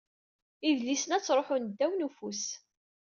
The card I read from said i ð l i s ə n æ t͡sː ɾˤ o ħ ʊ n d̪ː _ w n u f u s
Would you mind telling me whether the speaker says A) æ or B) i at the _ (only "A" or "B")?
A